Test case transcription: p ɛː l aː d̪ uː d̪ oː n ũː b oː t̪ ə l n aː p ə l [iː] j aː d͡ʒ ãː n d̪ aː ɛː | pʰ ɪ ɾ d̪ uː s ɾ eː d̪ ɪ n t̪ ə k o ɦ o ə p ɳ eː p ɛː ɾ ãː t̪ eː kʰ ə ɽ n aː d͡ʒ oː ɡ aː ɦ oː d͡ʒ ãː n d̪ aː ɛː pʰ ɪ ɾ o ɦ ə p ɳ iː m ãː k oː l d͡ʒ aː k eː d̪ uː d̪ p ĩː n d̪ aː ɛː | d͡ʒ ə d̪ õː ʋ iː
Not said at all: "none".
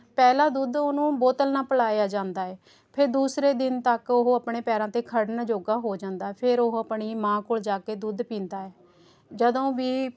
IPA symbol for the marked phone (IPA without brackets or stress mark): aː